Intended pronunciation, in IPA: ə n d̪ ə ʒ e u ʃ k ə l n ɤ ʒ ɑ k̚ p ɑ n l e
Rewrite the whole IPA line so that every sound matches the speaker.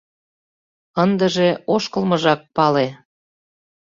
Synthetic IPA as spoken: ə n d̪ ə ʒ e o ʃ k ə l m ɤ ʒ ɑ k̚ p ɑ l e